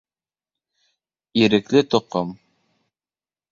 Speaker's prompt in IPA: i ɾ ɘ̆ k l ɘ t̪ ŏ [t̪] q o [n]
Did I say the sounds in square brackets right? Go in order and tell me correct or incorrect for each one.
incorrect, incorrect

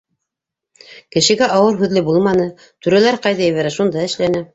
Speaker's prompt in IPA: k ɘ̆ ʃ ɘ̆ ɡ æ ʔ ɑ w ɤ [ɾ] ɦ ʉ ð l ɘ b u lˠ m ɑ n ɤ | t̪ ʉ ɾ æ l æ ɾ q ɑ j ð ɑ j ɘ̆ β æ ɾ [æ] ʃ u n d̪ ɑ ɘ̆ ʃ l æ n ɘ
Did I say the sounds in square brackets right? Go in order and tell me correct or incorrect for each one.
correct, correct

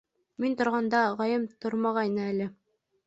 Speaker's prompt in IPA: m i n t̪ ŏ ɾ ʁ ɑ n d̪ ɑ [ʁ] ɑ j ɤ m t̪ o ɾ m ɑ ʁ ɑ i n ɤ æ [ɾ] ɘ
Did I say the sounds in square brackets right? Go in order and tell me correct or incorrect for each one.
correct, incorrect

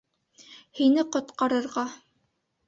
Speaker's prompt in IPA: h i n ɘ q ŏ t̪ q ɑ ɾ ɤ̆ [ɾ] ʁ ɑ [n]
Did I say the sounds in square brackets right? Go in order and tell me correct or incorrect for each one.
correct, incorrect

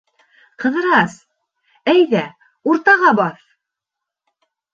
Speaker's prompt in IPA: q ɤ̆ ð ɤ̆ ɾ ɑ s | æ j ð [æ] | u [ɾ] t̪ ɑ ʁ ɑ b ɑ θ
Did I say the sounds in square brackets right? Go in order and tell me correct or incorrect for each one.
correct, correct

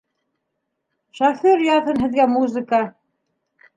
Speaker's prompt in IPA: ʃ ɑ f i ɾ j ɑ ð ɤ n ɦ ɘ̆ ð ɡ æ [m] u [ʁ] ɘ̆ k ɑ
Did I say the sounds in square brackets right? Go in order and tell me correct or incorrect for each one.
correct, incorrect

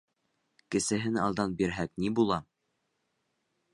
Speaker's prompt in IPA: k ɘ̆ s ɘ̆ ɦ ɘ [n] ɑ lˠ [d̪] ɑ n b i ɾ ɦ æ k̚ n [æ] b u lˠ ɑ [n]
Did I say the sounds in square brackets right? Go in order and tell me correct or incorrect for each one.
correct, correct, incorrect, incorrect

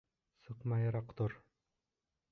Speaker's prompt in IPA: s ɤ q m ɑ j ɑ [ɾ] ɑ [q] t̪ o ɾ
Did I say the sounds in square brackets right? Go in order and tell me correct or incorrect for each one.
correct, correct

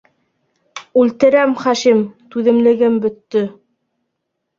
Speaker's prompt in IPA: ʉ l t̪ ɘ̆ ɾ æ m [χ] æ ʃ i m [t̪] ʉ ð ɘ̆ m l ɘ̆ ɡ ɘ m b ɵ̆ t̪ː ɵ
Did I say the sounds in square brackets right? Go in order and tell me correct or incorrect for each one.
correct, correct

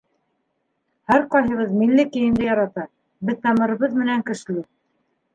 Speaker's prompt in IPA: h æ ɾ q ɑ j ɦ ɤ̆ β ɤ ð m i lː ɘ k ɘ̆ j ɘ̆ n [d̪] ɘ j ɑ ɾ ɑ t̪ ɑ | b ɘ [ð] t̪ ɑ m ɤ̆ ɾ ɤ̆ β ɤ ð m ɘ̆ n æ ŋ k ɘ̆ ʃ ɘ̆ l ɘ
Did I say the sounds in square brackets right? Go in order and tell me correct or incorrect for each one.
correct, correct

